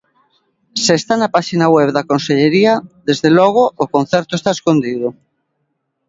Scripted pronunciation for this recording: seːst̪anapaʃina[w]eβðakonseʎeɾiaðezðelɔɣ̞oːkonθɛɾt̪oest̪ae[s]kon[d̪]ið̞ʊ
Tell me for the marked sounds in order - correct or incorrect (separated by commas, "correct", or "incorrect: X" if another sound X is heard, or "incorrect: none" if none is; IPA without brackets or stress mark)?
correct, correct, correct